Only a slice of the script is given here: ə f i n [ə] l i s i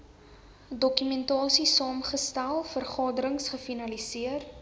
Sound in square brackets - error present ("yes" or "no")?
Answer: yes